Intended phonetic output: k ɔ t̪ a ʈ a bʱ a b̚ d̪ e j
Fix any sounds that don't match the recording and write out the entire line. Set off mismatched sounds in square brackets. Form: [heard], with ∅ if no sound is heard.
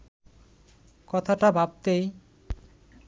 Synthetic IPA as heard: k ɔ [t̪ʰ] a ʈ a bʱ a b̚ [t̪] e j